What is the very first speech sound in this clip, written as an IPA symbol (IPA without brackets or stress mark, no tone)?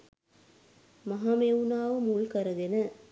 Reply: m